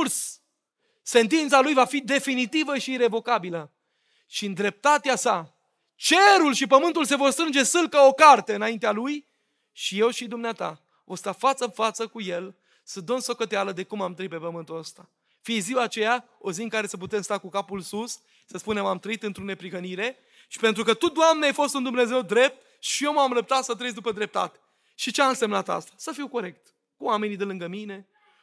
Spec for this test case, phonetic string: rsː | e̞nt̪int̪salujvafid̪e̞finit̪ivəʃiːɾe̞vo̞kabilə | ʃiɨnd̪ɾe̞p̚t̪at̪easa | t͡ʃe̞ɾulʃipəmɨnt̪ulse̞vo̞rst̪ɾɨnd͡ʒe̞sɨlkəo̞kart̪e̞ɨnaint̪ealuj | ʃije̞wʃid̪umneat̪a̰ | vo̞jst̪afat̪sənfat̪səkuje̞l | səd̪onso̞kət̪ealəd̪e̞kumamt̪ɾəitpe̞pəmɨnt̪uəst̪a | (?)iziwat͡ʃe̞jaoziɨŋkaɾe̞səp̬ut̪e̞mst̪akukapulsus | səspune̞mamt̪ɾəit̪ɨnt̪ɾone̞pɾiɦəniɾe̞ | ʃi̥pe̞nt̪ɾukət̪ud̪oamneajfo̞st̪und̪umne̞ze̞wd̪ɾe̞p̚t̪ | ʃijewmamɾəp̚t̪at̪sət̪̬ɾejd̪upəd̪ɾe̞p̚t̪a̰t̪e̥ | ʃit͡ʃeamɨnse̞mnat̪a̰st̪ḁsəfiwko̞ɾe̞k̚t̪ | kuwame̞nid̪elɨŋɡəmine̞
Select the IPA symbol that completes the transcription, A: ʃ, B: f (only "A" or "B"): B